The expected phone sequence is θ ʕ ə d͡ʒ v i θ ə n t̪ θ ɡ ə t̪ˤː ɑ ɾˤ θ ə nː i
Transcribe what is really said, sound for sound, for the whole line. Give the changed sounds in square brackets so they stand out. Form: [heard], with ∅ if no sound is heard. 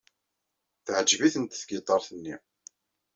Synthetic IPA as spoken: θ ʕ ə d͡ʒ v i θ ə n t̪ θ ɡ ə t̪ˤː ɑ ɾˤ θ ə nː i